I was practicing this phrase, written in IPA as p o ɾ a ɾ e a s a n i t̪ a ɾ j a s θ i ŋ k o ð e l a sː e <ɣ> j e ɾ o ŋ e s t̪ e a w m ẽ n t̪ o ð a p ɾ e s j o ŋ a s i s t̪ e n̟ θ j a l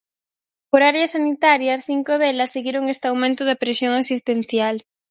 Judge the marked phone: correct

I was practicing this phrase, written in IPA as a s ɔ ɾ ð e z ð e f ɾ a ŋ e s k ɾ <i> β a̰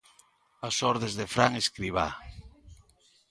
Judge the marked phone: correct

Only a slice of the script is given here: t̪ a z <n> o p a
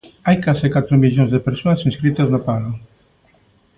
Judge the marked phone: correct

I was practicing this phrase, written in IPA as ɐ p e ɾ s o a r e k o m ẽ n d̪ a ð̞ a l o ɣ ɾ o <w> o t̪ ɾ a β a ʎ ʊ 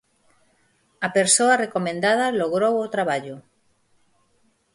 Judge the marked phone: correct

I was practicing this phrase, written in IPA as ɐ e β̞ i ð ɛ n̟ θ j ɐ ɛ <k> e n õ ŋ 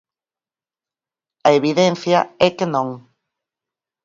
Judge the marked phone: correct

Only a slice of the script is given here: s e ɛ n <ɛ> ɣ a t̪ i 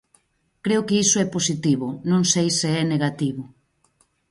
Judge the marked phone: incorrect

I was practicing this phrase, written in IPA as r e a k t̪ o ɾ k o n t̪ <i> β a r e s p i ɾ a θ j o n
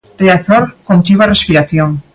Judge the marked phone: correct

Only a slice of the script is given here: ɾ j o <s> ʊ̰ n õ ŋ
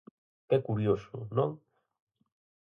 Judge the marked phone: correct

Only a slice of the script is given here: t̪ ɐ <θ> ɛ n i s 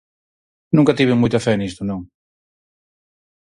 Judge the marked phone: incorrect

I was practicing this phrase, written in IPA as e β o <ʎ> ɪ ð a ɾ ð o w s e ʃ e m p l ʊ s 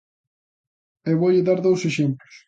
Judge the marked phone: correct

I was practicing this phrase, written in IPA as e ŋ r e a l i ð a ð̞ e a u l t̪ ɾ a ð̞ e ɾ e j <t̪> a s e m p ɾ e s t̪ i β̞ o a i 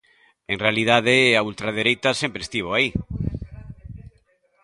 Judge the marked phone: correct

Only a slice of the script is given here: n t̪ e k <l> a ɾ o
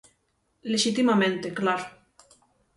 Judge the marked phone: correct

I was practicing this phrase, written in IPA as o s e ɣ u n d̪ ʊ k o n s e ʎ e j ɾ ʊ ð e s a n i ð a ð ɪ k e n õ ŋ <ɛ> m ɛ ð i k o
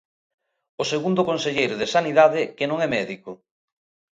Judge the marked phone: correct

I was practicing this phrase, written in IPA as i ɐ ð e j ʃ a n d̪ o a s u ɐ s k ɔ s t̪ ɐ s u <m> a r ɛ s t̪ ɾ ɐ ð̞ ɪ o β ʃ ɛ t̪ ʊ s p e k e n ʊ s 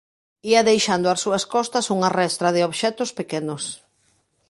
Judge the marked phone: incorrect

